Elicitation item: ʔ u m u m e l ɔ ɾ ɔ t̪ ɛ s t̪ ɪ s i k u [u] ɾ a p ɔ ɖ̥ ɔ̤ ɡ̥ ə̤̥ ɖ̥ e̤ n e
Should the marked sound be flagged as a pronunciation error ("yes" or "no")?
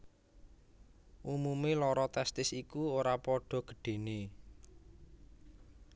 yes